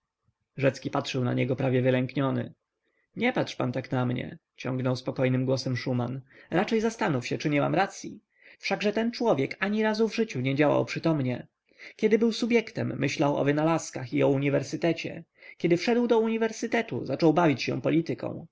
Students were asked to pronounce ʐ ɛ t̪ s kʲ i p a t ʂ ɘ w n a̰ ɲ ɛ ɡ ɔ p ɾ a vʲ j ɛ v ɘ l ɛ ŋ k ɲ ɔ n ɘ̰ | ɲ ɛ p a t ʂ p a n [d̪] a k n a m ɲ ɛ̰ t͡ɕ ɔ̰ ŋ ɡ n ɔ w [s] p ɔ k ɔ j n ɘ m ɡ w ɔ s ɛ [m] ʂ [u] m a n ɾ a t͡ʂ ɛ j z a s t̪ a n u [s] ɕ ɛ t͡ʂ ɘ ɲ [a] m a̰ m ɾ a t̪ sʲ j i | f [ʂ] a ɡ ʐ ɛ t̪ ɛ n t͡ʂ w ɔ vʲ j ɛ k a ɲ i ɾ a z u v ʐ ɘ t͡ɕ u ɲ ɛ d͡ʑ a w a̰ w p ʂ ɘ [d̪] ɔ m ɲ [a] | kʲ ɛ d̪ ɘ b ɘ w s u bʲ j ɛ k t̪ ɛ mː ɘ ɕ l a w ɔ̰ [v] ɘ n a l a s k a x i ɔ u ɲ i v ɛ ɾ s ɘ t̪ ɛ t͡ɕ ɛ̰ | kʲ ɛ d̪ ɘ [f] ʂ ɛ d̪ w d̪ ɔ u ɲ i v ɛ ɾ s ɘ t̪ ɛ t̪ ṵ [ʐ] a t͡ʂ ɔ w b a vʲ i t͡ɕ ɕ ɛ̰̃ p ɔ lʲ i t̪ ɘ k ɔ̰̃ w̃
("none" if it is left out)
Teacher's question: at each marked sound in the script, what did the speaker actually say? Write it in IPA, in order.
t̪, s, m, u, f, ɛ, ʂ, t̪, ɛ, v, f, z

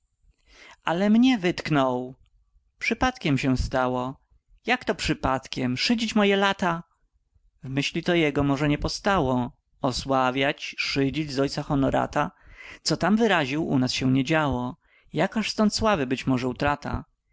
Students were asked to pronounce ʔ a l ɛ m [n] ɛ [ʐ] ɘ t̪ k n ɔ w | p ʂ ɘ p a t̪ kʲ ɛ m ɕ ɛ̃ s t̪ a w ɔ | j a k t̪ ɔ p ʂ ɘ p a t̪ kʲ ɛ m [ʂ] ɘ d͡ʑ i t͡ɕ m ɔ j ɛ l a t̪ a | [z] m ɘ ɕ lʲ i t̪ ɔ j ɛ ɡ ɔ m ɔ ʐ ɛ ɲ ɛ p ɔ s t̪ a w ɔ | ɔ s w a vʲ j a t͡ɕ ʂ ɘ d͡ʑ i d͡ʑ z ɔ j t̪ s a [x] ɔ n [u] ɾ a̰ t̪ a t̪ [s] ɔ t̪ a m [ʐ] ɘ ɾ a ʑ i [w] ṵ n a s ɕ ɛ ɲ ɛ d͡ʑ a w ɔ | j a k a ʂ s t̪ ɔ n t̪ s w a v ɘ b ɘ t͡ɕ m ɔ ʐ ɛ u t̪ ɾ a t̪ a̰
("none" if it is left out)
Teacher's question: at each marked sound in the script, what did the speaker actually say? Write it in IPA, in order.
ɲ, v, ʂ, v, x, ɔ, s, v, w

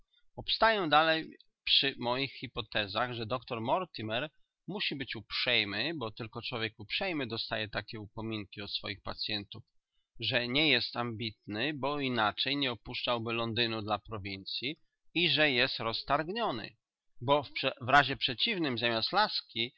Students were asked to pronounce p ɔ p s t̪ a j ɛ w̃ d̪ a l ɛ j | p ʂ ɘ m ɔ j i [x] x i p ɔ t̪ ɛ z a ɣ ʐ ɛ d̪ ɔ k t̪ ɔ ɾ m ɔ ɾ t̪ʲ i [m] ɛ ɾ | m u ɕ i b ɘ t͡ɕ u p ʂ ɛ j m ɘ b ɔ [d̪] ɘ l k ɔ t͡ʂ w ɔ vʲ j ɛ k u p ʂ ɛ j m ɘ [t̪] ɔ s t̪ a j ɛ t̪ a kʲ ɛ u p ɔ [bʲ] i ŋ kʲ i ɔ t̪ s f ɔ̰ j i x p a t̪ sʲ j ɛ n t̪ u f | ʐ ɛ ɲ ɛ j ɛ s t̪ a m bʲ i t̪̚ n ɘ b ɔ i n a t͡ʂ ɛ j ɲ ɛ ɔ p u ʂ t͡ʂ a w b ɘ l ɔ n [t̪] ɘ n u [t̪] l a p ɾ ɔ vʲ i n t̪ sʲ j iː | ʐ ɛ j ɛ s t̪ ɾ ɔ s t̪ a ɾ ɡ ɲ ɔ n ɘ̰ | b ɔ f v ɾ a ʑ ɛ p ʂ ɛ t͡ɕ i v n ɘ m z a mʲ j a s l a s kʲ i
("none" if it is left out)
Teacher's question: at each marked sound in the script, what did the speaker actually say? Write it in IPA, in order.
x, m, t̪, d̪, mʲ, d̪, d̪

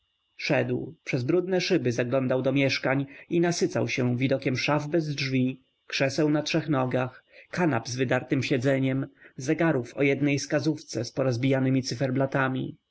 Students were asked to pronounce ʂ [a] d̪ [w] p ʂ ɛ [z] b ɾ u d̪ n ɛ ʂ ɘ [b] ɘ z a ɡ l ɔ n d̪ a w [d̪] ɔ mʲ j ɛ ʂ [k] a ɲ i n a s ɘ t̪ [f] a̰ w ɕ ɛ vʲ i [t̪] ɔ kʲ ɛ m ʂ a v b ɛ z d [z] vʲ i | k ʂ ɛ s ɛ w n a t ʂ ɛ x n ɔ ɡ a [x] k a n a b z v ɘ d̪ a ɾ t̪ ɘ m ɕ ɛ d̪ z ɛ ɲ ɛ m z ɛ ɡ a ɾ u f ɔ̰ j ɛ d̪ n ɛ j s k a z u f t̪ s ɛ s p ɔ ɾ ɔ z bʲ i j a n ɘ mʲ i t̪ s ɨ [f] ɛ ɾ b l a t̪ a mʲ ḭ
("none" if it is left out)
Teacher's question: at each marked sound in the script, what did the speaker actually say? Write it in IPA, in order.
ɛ, w, z, b, d̪, k, s, d̪, ʐ, x, f

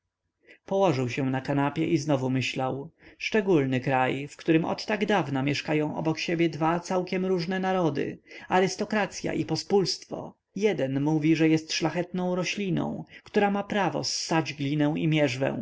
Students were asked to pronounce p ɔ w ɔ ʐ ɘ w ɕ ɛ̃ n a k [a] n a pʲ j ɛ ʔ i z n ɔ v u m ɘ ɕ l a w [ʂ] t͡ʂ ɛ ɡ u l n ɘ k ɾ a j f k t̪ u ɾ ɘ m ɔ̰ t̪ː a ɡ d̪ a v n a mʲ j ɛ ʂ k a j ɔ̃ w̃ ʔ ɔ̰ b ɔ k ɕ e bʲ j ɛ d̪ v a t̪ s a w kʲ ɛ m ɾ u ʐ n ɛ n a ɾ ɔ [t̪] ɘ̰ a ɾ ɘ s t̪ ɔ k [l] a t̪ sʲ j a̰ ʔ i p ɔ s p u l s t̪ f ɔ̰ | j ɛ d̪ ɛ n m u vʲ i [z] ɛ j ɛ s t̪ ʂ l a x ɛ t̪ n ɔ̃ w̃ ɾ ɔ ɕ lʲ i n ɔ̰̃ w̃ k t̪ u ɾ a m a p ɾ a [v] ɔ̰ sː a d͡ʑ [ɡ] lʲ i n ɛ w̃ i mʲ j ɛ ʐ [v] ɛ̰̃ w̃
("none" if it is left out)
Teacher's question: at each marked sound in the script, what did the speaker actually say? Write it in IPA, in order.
a, ʂ, d̪, ɾ, ʐ, v, ɡ, v

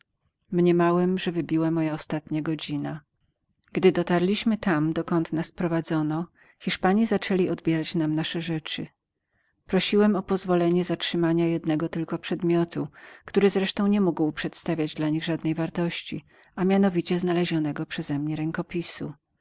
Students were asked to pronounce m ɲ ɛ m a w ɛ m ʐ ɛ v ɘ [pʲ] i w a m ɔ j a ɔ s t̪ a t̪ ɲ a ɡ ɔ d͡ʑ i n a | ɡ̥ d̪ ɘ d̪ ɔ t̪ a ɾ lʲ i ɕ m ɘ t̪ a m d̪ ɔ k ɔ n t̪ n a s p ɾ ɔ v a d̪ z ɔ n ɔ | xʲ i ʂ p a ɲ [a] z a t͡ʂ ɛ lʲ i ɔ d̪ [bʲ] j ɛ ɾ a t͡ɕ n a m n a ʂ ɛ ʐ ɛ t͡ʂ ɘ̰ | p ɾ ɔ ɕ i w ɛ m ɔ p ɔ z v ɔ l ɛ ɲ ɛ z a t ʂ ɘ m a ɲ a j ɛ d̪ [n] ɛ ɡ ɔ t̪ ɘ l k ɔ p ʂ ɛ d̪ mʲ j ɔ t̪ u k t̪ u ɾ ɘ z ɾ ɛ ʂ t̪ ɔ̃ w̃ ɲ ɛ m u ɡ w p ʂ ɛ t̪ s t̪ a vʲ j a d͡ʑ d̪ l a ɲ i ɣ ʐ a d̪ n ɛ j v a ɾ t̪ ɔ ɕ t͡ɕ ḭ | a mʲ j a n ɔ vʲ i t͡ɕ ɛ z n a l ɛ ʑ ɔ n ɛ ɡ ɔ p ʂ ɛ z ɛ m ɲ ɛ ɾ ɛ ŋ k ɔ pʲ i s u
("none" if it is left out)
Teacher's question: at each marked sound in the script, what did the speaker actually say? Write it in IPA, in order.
bʲ, i, bʲ, n

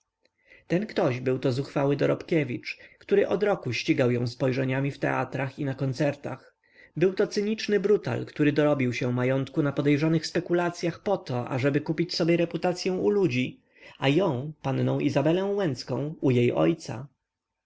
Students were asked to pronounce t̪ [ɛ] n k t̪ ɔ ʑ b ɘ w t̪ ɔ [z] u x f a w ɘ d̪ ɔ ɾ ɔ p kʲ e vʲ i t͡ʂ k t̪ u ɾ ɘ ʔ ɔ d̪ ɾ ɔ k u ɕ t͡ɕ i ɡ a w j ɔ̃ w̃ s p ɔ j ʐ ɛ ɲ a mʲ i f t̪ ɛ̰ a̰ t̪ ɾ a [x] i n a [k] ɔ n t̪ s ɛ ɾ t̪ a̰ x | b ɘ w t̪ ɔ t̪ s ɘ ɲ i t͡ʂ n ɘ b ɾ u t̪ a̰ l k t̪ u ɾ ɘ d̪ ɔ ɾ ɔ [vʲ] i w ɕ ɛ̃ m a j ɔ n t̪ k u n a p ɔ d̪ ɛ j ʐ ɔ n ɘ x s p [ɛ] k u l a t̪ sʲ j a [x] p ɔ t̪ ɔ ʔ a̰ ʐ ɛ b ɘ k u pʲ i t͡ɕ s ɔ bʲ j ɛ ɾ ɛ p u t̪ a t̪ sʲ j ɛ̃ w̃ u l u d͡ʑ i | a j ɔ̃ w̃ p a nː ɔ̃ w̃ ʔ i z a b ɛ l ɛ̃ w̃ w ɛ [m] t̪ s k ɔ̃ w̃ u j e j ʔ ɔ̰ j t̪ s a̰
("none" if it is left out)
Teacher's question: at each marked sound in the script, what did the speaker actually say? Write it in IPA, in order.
ɛ, z, x, k, bʲ, ɛ, x, n

